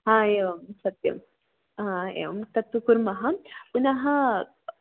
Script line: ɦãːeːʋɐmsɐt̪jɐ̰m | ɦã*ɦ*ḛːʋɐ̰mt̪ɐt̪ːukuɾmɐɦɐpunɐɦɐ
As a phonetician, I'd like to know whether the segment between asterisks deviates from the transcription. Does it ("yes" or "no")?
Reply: yes